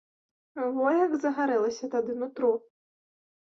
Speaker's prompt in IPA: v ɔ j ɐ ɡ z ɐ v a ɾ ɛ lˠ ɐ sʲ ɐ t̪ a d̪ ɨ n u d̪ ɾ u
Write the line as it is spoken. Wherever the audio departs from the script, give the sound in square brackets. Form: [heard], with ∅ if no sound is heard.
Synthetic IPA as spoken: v ɔ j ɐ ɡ z ɐ [ɣ] a ɾ ɛ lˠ ɐ sʲ ɐ t̪ a d̪ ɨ n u [t̪] ɾ u